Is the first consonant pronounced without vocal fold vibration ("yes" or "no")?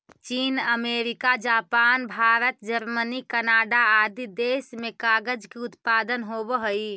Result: yes